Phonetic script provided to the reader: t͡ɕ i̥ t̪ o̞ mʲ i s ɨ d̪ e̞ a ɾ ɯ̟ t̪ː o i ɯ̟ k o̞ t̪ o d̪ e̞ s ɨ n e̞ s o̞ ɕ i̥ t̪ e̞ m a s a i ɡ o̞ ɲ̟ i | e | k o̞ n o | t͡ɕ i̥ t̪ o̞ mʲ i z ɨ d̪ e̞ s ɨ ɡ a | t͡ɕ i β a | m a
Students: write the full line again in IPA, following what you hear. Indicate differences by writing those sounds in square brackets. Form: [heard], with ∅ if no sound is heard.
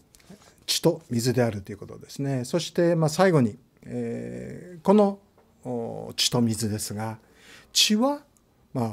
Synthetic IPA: t͡ɕ i̥ t̪ o̞ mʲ i [z] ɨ d̪ e̞ a ɾ ɯ̟ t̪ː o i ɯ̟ k o̞ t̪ o d̪ e̞ s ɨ n e̞ s o̞ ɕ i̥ t̪ e̞ m a s a i ɡ o̞ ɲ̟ i | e | k o̞ n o | t͡ɕ i̥ t̪ o̞ mʲ i z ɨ d̪ e̞ s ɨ ɡ a | t͡ɕ i β a | m a